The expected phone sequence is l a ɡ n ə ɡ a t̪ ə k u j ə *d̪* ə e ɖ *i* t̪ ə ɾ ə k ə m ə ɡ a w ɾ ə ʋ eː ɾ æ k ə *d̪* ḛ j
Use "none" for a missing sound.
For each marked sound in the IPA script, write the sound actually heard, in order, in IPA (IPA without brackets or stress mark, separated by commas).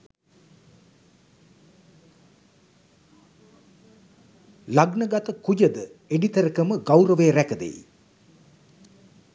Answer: d̪, i, d̪